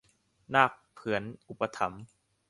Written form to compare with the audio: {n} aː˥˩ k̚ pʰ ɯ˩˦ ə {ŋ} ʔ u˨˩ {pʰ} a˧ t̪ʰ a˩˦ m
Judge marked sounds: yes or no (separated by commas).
yes, no, no